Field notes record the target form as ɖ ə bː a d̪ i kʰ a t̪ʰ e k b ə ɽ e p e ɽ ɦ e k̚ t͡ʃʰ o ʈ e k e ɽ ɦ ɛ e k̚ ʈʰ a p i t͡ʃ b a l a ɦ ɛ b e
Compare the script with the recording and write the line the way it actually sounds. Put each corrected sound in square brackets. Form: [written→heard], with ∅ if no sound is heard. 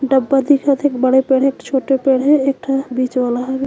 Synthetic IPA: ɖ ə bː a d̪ i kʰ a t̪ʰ e k b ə ɽ e p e ɽ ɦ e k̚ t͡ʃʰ o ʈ e [k→p] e ɽ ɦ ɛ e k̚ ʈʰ a [p→b] i t͡ʃ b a l a ɦ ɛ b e